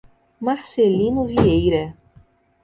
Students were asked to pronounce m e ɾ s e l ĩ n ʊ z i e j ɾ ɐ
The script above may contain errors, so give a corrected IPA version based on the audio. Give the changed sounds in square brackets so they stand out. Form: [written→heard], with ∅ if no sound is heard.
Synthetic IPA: m [e→a] ɾ s e l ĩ n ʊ [z→v] i e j ɾ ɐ